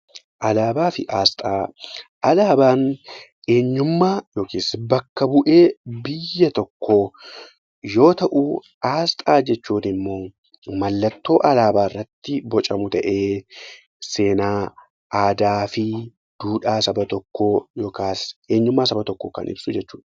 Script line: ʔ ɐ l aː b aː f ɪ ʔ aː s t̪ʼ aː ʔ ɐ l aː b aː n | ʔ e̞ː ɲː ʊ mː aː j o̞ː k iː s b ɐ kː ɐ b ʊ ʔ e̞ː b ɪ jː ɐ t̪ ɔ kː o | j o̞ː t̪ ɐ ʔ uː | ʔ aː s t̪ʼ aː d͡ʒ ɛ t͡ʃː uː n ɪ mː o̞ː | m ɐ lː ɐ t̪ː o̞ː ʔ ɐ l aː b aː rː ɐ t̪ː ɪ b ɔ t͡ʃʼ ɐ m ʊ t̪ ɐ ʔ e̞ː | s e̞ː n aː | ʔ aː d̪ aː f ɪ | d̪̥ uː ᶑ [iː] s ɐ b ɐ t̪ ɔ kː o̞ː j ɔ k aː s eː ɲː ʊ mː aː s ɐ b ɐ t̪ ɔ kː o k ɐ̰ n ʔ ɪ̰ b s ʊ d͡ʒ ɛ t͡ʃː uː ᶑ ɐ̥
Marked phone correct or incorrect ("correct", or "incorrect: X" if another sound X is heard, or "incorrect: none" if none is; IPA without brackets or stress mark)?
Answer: incorrect: aː